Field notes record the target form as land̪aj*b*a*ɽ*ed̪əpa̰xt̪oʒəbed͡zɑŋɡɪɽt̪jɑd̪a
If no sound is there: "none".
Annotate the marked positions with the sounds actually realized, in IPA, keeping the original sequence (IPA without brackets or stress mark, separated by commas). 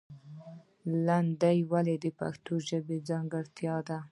w, l